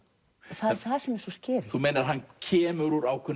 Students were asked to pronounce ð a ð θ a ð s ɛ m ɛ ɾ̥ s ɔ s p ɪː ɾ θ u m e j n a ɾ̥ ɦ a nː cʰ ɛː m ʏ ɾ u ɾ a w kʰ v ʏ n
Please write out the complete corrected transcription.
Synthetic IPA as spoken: θ a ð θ a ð s ɛ m ɛ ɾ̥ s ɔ s c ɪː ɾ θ u m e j n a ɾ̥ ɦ a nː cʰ ɛː m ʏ ɾ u ɾ a w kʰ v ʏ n